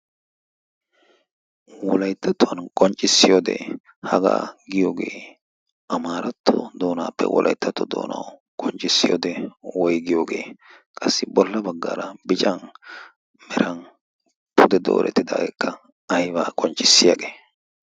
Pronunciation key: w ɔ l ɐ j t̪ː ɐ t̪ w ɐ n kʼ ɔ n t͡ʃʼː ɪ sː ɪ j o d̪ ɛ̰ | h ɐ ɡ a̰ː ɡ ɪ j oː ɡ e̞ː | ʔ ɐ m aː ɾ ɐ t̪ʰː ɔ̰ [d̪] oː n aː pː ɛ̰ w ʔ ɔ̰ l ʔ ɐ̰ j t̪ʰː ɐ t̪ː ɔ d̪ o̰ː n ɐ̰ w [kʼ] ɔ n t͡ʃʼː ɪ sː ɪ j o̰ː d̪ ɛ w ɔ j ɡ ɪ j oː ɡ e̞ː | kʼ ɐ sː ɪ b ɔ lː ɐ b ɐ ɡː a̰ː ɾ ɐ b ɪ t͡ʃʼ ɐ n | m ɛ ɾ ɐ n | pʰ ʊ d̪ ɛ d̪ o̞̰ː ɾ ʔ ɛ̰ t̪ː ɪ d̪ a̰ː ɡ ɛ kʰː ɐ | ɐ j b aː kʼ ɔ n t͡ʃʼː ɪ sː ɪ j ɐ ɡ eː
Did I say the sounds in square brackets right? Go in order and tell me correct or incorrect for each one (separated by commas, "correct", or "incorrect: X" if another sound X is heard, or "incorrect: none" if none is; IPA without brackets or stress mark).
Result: correct, correct